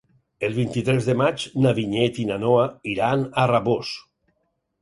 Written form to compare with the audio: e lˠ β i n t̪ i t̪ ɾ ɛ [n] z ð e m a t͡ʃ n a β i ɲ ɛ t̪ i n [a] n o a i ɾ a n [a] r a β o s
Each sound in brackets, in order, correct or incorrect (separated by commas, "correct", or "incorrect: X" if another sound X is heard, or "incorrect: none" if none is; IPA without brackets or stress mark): incorrect: none, correct, correct